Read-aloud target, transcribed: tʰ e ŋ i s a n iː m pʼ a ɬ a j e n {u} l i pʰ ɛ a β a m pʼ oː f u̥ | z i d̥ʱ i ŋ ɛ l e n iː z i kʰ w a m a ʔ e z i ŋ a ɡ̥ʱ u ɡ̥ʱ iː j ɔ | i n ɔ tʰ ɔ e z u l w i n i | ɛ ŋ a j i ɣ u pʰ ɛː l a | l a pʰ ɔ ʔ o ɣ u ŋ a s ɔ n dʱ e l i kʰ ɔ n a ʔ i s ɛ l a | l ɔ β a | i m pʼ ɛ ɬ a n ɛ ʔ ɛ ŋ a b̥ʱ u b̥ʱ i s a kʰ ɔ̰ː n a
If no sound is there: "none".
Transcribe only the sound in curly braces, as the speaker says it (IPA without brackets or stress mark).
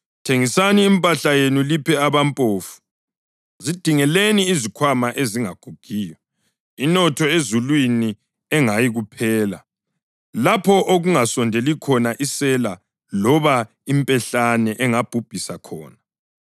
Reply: u